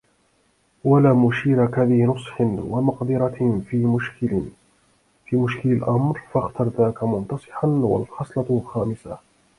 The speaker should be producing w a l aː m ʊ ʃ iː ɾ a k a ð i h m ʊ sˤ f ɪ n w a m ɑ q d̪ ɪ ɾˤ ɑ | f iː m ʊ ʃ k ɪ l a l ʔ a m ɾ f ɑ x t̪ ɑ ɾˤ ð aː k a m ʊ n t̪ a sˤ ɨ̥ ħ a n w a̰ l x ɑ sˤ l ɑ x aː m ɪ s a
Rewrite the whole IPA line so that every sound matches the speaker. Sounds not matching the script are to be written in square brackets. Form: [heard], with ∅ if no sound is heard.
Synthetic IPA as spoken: w a l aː m ʊ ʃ iː ɾ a k a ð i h [n] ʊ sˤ [ħ] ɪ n w a m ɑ q d̪ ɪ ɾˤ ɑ | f iː m ʊ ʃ k ɪ l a l ʔ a m ɾ f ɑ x t̪ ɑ ɾˤ ð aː k a m ʊ n t̪ [ɑ] sˤ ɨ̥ ħ a n w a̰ l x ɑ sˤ l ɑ x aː m ɪ s a